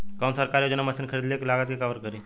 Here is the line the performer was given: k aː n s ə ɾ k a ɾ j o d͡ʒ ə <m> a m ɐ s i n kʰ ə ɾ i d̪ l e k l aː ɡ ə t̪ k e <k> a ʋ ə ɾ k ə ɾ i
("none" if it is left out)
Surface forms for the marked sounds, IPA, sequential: n, k

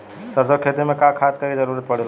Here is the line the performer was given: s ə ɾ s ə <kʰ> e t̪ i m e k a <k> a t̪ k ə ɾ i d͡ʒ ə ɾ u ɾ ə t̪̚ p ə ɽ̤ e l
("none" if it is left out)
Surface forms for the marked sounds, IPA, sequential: kʰ, kʰ

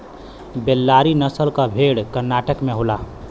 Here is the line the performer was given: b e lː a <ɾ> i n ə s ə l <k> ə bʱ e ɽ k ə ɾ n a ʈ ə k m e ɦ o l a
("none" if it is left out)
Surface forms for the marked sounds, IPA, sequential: ɾ, k

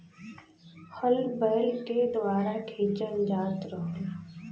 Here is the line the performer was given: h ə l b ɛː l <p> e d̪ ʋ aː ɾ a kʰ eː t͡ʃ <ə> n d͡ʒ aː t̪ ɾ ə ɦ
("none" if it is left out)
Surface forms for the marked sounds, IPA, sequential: k, ə

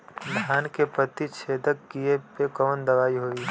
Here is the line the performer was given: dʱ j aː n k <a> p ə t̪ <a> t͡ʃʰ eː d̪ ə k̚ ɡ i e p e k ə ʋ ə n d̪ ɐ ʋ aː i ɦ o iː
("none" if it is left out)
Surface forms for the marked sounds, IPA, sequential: e, i

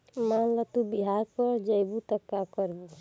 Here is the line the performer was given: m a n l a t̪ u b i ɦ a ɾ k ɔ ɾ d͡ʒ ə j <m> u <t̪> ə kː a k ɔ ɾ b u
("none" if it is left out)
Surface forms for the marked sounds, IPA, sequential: b, t̪

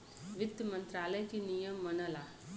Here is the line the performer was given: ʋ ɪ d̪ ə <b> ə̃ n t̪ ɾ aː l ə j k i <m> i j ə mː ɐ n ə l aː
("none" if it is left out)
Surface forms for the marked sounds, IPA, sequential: m, n

